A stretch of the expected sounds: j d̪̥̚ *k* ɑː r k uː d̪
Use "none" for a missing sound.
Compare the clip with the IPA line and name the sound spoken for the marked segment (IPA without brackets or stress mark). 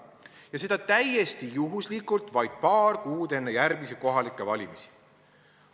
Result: p